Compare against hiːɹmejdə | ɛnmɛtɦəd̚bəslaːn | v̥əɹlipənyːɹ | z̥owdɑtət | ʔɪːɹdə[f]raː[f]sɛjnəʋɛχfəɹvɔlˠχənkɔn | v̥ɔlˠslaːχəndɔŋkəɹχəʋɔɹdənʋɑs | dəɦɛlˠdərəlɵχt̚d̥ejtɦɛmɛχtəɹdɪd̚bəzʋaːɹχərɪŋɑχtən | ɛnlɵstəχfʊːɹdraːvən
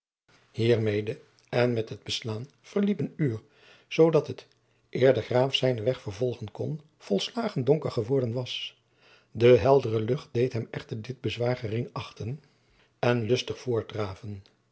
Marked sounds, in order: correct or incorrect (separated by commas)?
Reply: incorrect, correct